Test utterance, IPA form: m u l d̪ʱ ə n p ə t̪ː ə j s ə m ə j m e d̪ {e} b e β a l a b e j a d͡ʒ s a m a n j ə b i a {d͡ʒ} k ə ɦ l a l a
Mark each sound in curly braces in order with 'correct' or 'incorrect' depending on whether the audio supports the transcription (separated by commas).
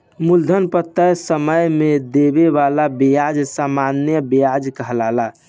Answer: correct, correct